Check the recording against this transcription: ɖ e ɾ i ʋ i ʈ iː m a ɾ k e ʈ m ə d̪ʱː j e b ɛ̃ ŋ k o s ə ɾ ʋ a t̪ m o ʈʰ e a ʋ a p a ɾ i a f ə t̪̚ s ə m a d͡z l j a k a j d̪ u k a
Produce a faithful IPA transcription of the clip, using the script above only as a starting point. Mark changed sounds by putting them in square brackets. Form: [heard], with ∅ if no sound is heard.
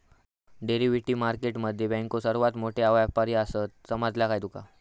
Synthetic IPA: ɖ e ɾ i ʋ i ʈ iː m a ɾ k e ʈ m ə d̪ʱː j e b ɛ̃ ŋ k o s ə ɾ ʋ a t̪ m o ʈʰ e a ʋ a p a ɾ i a [s] ə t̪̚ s ə m a d͡z l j a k a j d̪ u k a